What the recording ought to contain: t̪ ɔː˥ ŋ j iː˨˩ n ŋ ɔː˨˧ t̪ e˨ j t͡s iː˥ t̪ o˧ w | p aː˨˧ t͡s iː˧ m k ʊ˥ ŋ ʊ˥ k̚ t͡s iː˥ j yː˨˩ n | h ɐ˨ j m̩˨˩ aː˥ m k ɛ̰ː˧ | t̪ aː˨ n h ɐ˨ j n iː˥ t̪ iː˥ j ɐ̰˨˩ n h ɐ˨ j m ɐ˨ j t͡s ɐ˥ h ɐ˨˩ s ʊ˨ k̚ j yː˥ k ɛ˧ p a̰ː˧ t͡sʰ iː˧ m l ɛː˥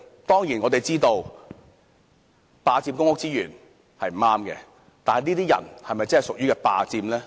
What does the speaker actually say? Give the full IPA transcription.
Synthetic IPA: t̪ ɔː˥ ŋ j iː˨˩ n ŋ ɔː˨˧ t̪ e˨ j t͡s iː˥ t̪ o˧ w | p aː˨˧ t͡s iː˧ m k ʊ˥ ŋ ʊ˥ k̚ t͡s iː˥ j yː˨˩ n | h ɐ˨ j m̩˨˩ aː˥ m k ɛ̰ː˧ | t̪ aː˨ n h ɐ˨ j n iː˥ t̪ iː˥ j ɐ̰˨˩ n h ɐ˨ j m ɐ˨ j t͡s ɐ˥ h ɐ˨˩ s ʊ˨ k̚ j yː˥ k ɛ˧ p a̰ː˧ t͡s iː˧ m l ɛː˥